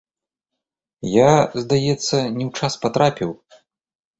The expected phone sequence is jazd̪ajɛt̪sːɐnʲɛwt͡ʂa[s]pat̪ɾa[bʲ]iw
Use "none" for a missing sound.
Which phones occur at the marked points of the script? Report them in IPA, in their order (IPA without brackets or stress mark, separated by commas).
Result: s, pʲ